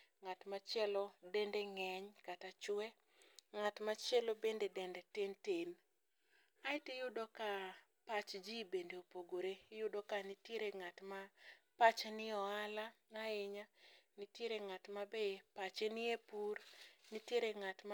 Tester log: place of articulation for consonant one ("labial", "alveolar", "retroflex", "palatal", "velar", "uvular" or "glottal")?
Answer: velar